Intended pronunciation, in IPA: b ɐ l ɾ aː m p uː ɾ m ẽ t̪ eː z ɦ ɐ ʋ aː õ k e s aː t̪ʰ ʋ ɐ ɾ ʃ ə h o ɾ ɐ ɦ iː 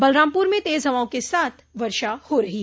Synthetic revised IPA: b ɐ l ɾ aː m p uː ɾ m ẽ t̪ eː z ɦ ɐ ʋ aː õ k e s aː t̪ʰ ʋ ɐ ɾ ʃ a h o ɾ ɐ ɦ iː